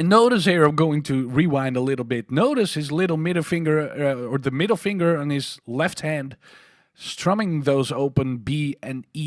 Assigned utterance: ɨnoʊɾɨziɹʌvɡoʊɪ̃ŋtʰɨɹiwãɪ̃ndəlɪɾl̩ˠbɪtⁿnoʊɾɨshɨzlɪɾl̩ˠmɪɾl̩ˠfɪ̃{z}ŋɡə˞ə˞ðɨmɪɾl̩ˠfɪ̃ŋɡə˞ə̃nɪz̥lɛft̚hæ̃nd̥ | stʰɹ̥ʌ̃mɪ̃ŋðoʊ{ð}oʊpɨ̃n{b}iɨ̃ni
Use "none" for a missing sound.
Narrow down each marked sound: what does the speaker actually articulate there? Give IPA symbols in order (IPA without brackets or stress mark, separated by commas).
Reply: none, z, b